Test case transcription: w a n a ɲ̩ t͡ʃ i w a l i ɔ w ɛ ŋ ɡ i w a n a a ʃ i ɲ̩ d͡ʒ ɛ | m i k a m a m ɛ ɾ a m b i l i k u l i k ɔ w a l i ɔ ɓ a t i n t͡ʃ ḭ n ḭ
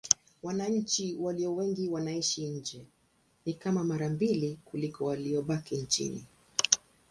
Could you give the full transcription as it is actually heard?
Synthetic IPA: w a n a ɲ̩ t͡ʃ i w a l i ɔ w ɛ ŋ ɡ i w a n a i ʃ i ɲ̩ d͡ʒ ɛ | n i k a m a m a ɾ a m b i l i k u l i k ɔ w a l i ɔ ɓ a k i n t͡ʃ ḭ n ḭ